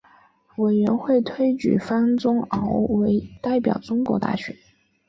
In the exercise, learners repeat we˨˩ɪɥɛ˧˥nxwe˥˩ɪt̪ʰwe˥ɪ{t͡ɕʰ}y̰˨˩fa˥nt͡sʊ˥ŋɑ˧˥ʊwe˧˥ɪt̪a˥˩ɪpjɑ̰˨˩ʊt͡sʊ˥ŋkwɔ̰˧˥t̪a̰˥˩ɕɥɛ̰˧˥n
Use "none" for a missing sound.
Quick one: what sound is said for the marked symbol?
t͡ɕ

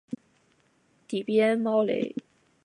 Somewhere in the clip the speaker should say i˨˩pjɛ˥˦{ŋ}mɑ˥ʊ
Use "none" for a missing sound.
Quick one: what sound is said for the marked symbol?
n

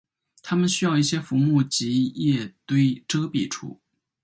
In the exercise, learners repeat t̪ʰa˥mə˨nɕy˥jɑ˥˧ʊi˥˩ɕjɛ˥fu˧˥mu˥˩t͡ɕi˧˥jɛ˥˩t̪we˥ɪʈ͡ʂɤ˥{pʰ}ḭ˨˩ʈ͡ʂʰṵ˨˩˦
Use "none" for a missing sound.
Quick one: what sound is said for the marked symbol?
p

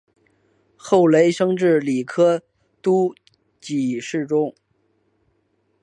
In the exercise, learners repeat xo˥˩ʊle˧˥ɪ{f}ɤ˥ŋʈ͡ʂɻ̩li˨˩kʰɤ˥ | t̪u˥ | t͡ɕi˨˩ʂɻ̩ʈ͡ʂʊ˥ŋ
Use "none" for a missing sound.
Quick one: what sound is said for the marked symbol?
ʂ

